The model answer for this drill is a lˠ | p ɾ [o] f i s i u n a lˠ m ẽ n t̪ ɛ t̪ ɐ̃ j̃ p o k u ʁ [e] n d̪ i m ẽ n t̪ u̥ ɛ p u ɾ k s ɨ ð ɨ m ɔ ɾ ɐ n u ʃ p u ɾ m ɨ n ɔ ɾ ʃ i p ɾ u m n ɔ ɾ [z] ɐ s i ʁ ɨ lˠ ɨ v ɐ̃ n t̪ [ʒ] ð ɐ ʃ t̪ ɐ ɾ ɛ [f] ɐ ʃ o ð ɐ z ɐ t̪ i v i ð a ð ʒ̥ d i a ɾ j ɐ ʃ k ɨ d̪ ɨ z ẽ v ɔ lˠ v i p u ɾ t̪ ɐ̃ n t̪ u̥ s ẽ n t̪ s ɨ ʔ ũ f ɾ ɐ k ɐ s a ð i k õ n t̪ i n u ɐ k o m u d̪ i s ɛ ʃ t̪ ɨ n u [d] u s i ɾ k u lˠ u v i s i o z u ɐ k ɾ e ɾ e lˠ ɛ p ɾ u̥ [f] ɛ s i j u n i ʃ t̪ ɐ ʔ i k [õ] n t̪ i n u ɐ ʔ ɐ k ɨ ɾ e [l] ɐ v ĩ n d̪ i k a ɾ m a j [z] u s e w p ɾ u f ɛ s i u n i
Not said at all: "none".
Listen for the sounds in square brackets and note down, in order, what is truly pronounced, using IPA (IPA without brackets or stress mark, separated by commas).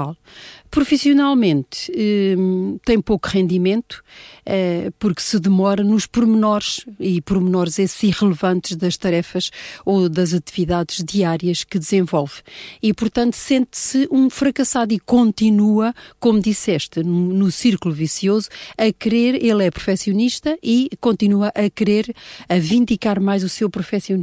u, ẽ, z, ʒ, f, n, f, õ, ɾ, z